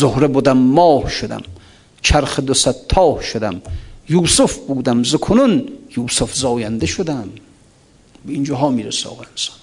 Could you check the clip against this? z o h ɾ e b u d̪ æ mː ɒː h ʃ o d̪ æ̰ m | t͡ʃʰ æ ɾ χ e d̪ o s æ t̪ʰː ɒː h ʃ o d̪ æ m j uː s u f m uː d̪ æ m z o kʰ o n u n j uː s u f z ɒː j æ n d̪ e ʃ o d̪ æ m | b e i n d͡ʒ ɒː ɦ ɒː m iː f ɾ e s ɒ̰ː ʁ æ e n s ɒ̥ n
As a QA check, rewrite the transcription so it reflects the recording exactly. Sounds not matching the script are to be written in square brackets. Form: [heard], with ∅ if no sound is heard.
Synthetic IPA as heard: z o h ɾ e b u d̪ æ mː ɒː h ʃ o d̪ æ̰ m | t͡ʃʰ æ ɾ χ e d̪ o s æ t̪ʰː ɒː h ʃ o d̪ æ m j uː s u f [b] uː d̪ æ m z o kʰ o n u n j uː s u f z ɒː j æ n d̪ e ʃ o d̪ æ m | b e i n d͡ʒ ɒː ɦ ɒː m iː [∅] ɾ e s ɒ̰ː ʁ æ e n s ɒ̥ n